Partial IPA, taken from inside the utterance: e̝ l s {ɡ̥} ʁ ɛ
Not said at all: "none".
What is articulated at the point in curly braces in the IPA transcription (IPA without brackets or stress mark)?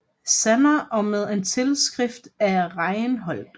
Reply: ɡ̥